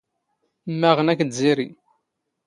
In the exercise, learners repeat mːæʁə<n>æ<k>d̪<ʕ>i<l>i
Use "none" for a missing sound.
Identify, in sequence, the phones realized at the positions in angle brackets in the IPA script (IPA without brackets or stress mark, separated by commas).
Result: n, k, z, ɾ